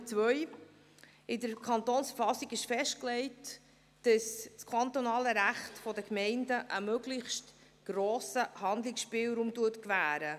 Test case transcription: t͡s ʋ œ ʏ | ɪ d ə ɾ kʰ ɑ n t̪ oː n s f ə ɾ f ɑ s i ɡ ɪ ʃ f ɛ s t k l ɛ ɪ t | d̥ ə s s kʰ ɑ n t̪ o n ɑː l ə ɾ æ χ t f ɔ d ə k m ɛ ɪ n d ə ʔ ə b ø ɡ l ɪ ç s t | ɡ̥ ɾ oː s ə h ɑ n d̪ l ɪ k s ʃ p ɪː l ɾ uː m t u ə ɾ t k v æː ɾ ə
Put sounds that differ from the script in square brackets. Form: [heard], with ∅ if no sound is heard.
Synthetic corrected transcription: t͡s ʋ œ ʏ | ɪ d ə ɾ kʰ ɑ n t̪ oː n s f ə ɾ f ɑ s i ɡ ɪ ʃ f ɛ [ʃ] t k l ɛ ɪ t | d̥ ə s s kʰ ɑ n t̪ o n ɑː l ə ɾ æ χ t f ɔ d ə k m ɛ ɪ n d ə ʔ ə [m] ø ɡ l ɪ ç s t | ɡ̥ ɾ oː s ə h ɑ n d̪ l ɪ k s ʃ p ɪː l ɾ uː m t u ə [∅] t k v æː ɾ ə

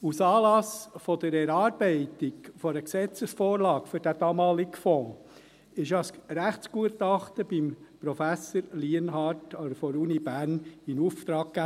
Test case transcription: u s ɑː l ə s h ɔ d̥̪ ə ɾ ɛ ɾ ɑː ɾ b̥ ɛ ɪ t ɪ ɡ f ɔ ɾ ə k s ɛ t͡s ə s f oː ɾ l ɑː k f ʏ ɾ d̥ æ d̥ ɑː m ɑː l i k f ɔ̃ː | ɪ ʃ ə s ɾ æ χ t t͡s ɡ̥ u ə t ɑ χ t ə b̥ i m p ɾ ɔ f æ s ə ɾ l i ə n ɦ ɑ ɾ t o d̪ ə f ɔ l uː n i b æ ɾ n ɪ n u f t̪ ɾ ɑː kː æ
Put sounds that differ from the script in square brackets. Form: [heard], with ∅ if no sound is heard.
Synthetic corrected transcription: u s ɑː l [ɑ] s [f] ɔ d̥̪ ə ɾ ɛ ɾ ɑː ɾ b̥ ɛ ɪ t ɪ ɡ f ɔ ɾ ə k s ɛ t͡s ə s f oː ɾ l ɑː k f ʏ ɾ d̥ æ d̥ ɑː m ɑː l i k f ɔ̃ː | ɪ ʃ [ɑ] s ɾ æ χ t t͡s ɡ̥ u ə t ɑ χ t ə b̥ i m p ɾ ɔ f æ s ə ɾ l i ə n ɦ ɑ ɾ t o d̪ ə f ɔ [ɾ] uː n i b æ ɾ n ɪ n u f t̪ ɾ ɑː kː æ

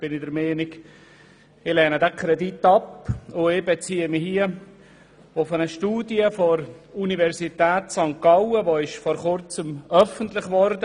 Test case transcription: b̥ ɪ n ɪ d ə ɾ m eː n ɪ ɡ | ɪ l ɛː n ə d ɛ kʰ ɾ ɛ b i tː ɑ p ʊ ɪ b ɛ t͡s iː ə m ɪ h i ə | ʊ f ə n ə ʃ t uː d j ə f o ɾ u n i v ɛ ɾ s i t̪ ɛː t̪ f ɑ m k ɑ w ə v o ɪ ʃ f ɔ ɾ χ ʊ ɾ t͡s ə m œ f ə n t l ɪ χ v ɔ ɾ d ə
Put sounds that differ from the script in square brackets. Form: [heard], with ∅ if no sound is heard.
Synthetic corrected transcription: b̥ ɪ n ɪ d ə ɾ m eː n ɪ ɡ | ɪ l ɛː n ə d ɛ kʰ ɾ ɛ [d] i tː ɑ p ʊ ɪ b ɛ t͡s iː ə m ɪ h i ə | ʊ f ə n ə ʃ t uː d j ə f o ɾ u n i v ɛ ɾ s i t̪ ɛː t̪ [s] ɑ [ŋ] k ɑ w ə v o ɪ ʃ f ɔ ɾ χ ʊ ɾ t͡s ə m œ f ə n t l ɪ χ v ɔ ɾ d ə

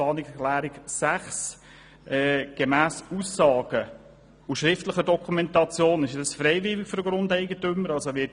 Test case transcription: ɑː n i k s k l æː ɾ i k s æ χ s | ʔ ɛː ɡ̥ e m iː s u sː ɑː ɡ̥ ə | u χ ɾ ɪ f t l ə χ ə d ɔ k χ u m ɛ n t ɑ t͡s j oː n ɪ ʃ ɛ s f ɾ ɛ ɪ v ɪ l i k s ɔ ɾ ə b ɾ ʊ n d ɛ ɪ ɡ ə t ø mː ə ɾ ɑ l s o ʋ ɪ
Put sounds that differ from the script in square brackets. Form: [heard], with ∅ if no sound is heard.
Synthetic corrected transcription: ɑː n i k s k l æː ɾ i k s æ χ s | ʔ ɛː ɡ̥ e m [æː] s u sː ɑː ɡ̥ ə | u [ʃ] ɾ ɪ f t l ə χ ə d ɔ k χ u m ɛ n t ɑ t͡s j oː n ɪ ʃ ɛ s f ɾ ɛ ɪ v ɪ l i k [f] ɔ ɾ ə [ɡ] ɾ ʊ n d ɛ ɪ ɡ ə t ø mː ə ɾ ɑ l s o ʋ ɪ

